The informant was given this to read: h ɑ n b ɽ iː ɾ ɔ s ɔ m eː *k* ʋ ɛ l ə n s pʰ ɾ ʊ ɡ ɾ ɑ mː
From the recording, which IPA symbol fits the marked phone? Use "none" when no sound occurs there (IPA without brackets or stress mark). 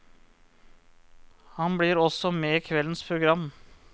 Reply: kʰ